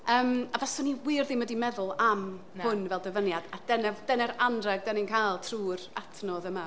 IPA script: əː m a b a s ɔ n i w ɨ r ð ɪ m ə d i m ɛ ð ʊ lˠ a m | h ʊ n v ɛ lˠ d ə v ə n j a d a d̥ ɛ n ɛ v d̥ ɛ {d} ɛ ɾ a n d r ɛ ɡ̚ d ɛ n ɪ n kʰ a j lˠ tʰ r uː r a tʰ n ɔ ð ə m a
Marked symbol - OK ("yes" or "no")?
no